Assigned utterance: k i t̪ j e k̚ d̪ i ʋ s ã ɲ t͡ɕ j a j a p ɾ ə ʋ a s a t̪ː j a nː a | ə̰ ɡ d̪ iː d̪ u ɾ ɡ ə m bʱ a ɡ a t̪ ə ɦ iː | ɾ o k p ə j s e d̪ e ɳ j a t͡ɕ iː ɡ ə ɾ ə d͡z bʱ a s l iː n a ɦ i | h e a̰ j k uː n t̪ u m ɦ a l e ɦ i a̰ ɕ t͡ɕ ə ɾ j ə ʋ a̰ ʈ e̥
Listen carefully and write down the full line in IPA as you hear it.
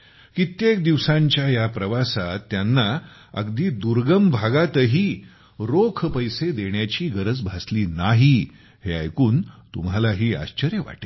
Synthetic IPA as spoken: k i t̪ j e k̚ d̪ i ʋ s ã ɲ t͡ɕ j a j a p ɾ ə ʋ a s a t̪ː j a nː a | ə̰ ɡ d̪ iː d̪ u ɾ ɡ ə m bʱ a ɡ a t̪ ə ɦ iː | ɾ o kʰ p ə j s e d̪ e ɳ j a t͡ɕ iː ɡ ə ɾ ə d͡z bʱ a s l iː n a ɦ i | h e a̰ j k uː n t̪ u m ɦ a l a ɦ iː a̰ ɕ t͡ɕ ə ɾ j ə ʋ a̰ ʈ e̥